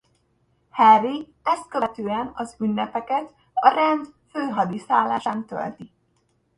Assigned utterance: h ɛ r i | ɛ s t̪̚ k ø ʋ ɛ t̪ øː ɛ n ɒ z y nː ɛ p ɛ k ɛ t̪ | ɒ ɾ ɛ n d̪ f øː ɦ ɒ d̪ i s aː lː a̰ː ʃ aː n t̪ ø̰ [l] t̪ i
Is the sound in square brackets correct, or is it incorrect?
correct